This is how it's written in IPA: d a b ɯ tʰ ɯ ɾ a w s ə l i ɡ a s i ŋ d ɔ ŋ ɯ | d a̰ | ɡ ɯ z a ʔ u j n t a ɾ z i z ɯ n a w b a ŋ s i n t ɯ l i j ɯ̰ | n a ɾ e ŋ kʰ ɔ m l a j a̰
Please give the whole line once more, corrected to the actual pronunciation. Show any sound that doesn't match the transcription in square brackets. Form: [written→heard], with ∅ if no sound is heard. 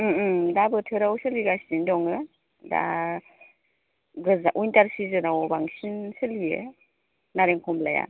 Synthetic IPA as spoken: d a b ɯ tʰ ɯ ɾ a w s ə l i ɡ a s i [ŋ→n] d ɔ ŋ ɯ | d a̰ | ɡ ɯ z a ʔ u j n t a ɾ [z→s] i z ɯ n a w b a ŋ s i n [t→s] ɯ l i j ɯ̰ | n a ɾ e ŋ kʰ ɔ m l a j a̰

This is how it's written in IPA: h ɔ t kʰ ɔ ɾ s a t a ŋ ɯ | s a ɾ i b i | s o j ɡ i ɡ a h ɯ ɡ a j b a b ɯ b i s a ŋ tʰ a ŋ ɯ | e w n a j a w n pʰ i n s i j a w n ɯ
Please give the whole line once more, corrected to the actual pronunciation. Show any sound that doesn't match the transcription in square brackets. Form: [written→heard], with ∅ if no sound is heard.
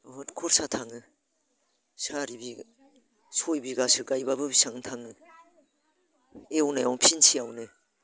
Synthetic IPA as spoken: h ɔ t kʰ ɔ ɾ s a [t→tʰ] a ŋ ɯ | s a ɾ i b i | s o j [ɡ→b] i ɡ a [h→s] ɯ ɡ a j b a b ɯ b i s a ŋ tʰ a ŋ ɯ | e w n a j a w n pʰ i n s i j a w n ɯ

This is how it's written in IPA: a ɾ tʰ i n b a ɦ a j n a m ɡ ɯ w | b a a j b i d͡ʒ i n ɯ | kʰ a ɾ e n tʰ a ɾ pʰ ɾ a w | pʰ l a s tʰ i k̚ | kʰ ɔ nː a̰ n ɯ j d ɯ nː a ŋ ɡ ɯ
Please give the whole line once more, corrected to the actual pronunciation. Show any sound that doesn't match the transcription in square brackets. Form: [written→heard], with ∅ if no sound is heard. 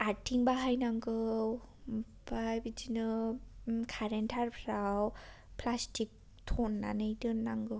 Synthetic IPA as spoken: a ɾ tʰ i [n→ŋ] b a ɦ a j n a [m→ŋ] ɡ ɯ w | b a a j b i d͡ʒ i n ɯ | kʰ a ɾ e n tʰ a ɾ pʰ ɾ a w | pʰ l a s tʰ i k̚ | [kʰ→tʰ] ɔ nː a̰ n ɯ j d ɯ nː a ŋ ɡ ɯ

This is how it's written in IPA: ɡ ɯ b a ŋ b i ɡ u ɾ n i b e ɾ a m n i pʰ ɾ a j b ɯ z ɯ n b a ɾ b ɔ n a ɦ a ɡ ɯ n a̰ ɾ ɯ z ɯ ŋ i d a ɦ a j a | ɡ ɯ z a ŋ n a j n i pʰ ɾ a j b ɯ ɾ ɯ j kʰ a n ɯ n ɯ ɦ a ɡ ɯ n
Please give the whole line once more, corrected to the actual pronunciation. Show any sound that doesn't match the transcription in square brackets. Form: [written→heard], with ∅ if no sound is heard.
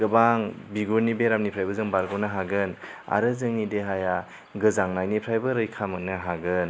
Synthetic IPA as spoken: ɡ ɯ b a ŋ b i ɡ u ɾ n i b e ɾ a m n i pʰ ɾ a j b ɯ z ɯ [n→ŋ] b a ɾ [b→ɡ] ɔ n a ɦ a ɡ ɯ n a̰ ɾ ɯ z ɯ ŋ i d [a→e] ɦ a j a | ɡ ɯ z a ŋ n a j n i pʰ ɾ a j b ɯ ɾ ɯ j kʰ a [n→m] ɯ n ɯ ɦ a ɡ ɯ n

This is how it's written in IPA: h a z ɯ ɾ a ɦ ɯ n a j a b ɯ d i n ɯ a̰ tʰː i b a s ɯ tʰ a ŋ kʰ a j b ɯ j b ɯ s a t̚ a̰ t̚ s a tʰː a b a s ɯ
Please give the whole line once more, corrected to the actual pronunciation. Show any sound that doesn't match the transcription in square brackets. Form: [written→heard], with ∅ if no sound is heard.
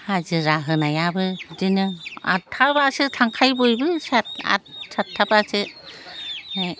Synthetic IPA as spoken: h a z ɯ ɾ a ɦ ɯ n a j a b ɯ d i n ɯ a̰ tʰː [i→a] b a s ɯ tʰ a ŋ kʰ a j b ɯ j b ɯ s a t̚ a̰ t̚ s a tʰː a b a s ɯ

